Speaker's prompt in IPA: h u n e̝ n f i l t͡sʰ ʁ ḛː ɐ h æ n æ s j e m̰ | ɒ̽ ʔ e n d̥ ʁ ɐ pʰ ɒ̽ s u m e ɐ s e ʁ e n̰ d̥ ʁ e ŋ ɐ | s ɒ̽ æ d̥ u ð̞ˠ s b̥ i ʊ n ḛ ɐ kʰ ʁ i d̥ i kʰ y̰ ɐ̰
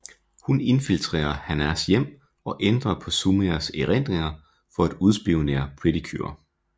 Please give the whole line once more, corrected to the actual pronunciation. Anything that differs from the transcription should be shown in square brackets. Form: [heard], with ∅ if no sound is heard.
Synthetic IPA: h u n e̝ n f i l t͡sʰ ʁ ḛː ɐ h æ n æ s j e m̰ | ɒ̽ ʔ e n d̥ ʁ ɐ pʰ ɒ̽ s u m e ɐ s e ʁ e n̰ d̥ ʁ e ŋ ɐ | [f] ɒ̽ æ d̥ u ð̞ˠ s b̥ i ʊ n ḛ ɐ [pʰ] ʁ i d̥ i kʰ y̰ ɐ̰